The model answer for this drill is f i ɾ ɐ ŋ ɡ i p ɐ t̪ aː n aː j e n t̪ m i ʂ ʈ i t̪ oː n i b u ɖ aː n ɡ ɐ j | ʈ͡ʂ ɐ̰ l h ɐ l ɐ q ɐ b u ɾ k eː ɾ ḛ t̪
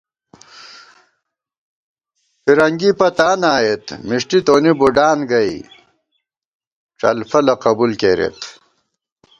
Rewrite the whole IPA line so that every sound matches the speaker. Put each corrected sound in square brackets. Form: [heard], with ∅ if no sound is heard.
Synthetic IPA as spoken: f i ɾ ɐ ŋ ɡ i p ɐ t̪ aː n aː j e [∅] t̪ m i ʂ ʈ i t̪ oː n i b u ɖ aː n ɡ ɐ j | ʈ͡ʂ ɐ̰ l [f] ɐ l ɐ q ɐ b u [l] k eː ɾ ḛ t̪